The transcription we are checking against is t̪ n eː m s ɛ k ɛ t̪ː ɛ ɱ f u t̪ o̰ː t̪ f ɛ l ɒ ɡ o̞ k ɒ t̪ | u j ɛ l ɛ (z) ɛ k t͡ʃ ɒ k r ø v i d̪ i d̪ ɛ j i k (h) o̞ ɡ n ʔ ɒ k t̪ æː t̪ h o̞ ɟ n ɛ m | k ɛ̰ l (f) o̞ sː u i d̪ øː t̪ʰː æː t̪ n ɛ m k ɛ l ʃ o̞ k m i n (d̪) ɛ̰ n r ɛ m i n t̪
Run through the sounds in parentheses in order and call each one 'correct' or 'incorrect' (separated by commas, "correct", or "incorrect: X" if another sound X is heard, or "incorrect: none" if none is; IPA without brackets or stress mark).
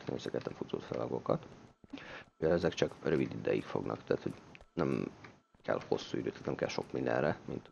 correct, incorrect: f, incorrect: h, correct